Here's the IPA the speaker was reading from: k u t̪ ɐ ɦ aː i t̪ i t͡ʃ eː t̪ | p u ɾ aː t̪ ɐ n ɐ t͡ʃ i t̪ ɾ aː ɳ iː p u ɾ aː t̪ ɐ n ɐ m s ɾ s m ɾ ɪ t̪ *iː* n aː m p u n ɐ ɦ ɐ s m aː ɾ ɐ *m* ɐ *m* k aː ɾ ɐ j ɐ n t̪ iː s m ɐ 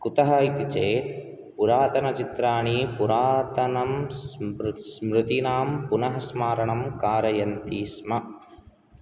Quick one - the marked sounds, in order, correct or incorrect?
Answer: incorrect: i, incorrect: ɳ, correct

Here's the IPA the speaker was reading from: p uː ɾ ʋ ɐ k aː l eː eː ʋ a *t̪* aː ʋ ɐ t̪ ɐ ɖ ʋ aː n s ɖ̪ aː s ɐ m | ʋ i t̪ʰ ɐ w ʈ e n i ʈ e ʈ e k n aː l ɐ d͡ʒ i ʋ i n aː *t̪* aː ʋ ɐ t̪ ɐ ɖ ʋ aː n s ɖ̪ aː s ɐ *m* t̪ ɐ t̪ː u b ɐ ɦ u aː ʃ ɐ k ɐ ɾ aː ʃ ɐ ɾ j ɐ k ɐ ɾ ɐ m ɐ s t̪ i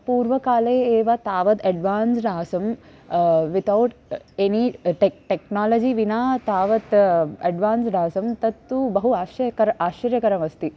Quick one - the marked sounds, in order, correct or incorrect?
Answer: correct, correct, correct

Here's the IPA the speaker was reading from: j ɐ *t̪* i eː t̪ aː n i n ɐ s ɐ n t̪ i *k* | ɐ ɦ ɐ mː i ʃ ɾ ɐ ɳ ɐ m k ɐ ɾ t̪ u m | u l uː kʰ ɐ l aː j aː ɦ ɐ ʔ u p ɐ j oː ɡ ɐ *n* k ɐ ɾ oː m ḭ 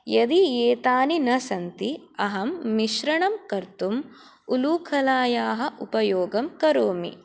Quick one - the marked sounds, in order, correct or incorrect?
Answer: incorrect: d̪, incorrect: none, incorrect: m

